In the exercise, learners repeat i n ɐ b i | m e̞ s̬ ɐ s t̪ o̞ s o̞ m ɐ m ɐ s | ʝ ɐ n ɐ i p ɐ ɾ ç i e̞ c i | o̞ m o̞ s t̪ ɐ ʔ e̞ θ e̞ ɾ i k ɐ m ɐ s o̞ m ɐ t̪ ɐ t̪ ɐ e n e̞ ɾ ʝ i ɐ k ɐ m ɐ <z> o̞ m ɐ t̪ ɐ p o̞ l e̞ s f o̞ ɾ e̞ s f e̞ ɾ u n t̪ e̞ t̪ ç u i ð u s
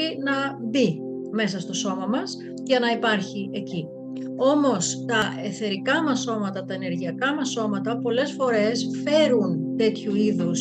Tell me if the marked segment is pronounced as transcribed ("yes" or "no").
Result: no